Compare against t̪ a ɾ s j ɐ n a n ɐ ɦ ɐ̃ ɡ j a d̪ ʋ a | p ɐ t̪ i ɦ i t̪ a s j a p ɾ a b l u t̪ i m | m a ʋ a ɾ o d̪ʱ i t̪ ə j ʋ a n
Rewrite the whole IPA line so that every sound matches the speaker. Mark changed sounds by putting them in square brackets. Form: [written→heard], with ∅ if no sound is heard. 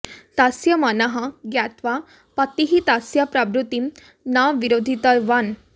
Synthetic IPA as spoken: t̪ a [ɾ→∅] s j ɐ [n→m] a n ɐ ɦ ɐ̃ ɡ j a [d̪→t̪] ʋ a | p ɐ t̪ i ɦ i t̪ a s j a p ɾ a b [l→ɾ] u t̪ i m | [m→n] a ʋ [a→i] ɾ o d̪ʱ i t̪ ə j ʋ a n